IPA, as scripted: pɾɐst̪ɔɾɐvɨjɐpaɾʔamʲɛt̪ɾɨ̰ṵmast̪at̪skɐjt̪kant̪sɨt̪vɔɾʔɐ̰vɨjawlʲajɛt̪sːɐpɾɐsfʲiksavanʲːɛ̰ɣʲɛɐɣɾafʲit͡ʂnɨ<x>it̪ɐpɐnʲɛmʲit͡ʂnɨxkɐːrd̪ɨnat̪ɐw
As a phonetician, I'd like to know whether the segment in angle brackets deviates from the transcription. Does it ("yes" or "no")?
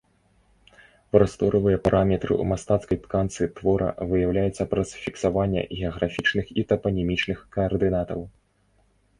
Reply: no